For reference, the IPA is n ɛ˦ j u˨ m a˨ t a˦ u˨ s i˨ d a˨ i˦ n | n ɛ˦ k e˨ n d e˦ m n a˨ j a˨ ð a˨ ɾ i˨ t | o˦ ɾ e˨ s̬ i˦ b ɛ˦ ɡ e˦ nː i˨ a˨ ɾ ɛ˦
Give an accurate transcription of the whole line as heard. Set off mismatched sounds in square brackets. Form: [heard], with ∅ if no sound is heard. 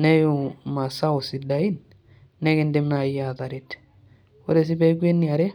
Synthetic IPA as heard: n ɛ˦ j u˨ m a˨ [s] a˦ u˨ s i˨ d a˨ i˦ n | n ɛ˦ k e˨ n d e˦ m n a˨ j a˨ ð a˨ ɾ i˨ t | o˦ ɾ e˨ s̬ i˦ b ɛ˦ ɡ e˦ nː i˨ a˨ ɾ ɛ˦